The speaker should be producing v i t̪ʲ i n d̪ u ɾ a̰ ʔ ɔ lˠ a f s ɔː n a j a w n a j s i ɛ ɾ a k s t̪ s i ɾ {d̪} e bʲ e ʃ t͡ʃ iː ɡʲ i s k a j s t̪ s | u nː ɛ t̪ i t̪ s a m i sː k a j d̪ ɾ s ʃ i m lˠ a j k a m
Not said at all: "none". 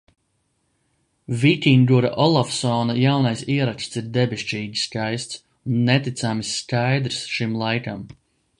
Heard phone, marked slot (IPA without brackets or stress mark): d̪